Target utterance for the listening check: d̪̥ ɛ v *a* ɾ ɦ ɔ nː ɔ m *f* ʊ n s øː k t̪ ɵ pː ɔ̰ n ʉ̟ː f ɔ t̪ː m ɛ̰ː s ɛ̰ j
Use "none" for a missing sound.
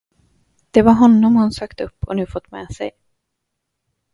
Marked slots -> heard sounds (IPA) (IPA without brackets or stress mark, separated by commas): a, h